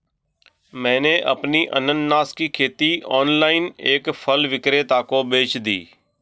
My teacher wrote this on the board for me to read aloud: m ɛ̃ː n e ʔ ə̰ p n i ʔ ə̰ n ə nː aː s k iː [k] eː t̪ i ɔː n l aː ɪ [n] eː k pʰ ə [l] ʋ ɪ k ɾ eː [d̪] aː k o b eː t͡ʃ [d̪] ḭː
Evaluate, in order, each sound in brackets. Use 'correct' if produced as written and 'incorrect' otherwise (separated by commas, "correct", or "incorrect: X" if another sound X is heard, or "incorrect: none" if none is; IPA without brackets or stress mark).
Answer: incorrect: kʰ, correct, correct, incorrect: t̪, correct